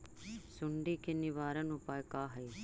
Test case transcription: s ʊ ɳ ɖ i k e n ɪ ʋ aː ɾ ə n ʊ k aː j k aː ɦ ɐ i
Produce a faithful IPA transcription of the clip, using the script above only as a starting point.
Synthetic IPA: s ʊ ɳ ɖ i k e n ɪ ʋ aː ɾ ə n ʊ p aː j k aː ɦ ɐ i